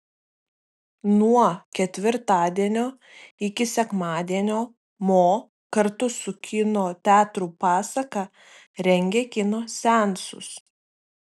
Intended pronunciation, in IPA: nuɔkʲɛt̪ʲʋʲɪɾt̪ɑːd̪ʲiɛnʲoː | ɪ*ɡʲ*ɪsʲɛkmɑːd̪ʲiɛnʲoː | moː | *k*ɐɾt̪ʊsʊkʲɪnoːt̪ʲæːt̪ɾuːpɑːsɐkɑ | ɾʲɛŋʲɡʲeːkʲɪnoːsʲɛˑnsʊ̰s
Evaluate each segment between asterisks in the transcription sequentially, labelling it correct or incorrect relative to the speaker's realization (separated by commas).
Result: incorrect, correct